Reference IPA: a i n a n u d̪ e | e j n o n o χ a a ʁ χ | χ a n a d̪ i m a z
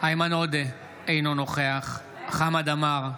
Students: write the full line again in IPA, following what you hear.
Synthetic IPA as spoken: a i m a n o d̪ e | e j n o n o χ e a χ | χ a m a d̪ a m a ʁ